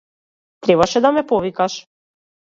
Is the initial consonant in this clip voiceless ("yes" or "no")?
yes